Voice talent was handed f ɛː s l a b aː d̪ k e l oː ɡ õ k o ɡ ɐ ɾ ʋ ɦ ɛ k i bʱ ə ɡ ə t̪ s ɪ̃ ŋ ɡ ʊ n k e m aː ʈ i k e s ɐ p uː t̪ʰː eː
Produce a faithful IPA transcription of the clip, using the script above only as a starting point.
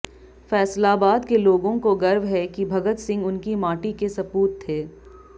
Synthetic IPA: f ɛː s l a b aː d̪ k e l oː ɡ õ k o ɡ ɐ ɾ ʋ ɦ ɛ k i bʱ ɐ ɡ ə t̪ s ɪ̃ ŋ ɡ ʊ n k i m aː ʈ i k e s ɐ p uː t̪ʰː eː